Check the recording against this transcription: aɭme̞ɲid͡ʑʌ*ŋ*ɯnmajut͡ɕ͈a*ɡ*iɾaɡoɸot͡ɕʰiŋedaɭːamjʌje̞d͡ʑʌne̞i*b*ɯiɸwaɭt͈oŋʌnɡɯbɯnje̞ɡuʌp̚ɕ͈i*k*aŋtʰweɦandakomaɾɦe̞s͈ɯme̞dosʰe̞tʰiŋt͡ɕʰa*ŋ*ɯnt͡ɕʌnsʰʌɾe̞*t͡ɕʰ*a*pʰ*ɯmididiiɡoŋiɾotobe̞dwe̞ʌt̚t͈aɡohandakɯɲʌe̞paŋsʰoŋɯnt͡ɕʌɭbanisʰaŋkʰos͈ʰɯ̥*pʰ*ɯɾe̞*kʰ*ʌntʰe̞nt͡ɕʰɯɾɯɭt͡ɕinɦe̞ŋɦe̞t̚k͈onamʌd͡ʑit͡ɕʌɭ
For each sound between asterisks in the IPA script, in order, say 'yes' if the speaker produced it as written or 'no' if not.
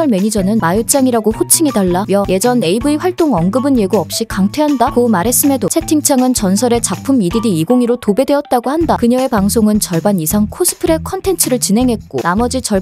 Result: no, no, yes, yes, yes, no, yes, yes, yes

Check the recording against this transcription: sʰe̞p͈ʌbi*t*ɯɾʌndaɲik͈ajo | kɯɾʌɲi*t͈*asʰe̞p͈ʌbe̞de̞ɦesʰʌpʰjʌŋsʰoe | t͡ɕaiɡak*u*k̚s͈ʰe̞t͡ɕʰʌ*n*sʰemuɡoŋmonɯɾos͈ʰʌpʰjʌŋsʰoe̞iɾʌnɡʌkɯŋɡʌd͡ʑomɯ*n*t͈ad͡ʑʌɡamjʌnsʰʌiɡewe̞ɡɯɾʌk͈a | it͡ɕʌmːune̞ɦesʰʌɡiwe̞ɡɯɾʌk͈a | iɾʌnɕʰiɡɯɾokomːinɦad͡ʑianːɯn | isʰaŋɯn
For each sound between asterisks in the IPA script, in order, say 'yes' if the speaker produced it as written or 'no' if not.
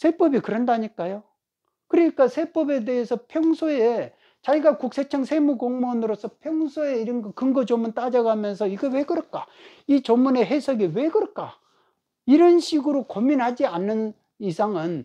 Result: no, no, yes, no, yes

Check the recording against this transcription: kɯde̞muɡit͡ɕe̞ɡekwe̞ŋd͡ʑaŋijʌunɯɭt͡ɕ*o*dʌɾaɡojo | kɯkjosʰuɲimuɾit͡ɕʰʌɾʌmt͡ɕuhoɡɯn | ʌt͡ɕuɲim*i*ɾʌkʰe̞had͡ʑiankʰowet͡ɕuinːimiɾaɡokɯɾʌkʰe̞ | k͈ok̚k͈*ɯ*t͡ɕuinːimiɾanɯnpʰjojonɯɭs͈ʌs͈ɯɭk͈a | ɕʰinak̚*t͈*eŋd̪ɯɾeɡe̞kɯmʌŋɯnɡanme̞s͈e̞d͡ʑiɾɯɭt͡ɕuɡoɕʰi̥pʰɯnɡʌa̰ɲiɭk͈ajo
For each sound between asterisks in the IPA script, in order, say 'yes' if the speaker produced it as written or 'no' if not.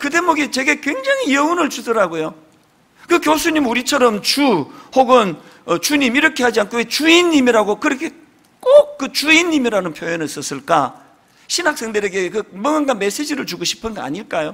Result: no, yes, yes, no

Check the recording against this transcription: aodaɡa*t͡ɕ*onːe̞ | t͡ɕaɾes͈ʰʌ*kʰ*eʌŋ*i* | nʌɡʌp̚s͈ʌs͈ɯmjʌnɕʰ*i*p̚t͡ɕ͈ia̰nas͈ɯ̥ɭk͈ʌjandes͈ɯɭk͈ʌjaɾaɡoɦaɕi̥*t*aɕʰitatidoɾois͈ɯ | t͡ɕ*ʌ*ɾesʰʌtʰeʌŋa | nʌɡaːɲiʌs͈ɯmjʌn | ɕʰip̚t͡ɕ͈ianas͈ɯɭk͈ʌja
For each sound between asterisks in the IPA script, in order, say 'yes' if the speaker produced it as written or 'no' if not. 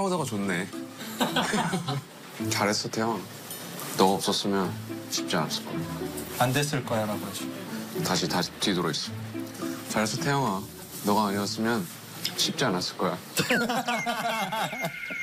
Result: yes, no, no, yes, yes, no

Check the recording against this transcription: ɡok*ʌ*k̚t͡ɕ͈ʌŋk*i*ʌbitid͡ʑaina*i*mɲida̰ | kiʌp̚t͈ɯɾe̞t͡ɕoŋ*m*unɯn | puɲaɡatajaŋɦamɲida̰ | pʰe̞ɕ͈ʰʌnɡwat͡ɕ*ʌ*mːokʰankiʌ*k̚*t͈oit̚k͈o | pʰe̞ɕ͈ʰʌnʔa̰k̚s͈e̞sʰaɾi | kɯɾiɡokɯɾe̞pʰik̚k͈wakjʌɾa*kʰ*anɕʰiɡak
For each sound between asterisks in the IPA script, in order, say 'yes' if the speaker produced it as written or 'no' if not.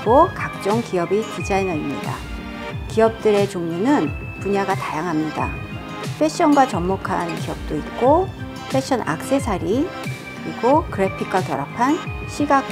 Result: no, yes, yes, no, yes, no, no

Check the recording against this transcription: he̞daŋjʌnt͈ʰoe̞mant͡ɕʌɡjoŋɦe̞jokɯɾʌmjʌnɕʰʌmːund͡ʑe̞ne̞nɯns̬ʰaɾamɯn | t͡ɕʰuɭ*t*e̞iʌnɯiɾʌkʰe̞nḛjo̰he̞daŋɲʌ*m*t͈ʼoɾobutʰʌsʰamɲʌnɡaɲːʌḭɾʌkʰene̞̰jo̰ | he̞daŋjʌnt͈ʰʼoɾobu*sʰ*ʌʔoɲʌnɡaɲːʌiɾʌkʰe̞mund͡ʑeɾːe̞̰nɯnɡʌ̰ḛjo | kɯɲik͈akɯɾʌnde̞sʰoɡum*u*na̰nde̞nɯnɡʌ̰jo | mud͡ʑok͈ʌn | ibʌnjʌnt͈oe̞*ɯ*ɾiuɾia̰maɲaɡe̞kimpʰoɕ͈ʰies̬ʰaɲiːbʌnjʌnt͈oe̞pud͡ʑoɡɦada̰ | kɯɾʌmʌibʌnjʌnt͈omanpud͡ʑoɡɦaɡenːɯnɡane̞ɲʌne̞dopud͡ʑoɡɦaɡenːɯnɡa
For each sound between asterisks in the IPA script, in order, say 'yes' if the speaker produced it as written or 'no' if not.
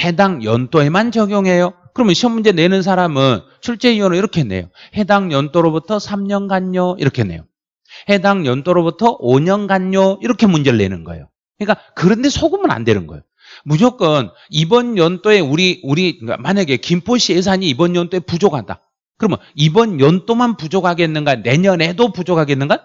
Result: no, no, no, no, no

